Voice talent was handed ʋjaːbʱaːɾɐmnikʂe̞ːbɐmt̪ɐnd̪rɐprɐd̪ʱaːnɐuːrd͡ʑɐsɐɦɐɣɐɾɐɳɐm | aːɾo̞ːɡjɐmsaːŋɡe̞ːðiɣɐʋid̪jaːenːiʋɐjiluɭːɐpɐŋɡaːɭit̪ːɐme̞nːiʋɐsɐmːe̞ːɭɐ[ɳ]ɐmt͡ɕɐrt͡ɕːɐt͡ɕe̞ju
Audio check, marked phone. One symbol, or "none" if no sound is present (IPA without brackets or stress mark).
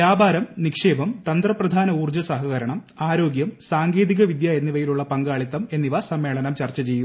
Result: n